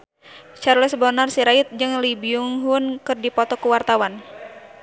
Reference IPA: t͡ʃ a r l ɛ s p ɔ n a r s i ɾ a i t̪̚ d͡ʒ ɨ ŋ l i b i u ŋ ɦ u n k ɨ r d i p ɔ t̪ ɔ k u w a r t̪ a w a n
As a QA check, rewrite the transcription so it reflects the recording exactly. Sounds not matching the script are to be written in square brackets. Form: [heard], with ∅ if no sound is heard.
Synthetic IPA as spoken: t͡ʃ a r l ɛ s [b] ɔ n a r s i ɾ a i t̪̚ d͡ʒ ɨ ŋ l i b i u ŋ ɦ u n k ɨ r d i p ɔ t̪ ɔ k u w a r t̪ a w a n